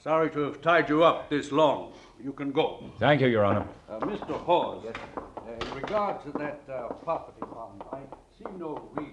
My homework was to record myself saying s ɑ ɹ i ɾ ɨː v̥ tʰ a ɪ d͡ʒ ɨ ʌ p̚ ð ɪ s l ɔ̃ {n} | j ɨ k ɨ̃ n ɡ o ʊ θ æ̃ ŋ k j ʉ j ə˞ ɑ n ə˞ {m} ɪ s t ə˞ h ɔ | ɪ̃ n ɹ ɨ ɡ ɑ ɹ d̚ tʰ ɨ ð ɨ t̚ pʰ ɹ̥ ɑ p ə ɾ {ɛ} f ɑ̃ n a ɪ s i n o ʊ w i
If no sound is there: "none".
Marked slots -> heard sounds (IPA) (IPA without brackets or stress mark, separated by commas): ŋ, m, i